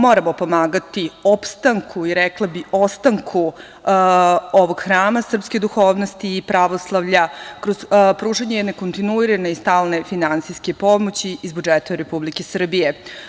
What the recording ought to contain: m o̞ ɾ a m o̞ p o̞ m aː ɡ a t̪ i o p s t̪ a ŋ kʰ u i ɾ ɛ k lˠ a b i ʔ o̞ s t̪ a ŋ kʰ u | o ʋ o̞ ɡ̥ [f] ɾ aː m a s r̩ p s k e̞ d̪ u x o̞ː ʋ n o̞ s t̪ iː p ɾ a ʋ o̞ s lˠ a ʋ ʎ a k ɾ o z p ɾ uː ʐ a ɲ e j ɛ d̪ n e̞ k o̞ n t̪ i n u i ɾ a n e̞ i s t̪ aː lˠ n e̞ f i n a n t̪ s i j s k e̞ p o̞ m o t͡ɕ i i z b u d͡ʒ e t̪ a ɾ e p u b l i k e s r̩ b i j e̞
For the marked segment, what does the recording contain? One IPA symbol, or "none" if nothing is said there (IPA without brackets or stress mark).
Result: x